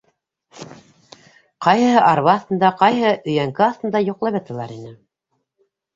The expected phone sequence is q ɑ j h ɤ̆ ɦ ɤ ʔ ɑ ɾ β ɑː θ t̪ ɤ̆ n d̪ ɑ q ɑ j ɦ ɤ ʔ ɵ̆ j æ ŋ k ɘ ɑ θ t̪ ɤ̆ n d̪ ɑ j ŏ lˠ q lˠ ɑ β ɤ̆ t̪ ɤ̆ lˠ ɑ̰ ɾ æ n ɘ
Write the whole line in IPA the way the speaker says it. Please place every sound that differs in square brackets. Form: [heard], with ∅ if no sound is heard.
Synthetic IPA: q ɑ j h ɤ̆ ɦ ɤ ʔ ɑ ɾ β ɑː θ t̪ ɤ̆ n d̪ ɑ q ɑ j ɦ ɤ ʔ ɵ̆ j æ ŋ k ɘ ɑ θ t̪ ɤ̆ n d̪ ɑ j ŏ [∅] q lˠ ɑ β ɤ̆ t̪ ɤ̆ lˠ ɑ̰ ɾ [i] n ɘ